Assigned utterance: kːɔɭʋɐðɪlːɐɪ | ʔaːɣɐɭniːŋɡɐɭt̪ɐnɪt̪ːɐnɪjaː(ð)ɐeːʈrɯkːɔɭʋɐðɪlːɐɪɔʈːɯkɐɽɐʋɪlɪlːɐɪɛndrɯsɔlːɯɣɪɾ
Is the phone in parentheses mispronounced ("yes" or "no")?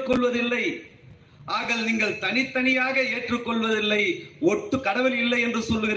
yes